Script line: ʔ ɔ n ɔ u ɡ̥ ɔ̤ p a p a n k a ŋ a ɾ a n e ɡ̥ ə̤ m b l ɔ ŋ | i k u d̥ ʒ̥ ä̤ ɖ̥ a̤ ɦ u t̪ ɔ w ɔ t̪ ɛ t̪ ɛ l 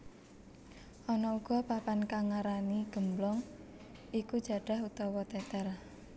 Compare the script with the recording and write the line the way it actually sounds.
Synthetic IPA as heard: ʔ ɔ n ɔ u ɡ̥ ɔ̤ p a p a n k a ŋ a ɾ a n i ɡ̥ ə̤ m b l ɔ ŋ | i k u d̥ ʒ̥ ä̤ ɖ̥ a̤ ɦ u t̪ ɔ w ɔ t̪ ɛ t̪ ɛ r